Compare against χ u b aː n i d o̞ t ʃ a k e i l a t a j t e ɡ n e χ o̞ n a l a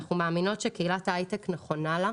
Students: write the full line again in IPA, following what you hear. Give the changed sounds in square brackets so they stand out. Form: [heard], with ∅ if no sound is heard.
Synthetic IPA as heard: χ u [m] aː [m] i [n] o̞ t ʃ [e] k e i l a t a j t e [k] n e χ o̞ n a l a